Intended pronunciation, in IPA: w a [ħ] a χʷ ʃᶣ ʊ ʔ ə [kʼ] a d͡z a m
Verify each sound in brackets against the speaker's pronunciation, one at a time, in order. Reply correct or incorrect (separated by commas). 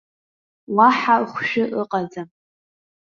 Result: correct, incorrect